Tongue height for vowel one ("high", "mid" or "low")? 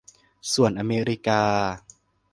high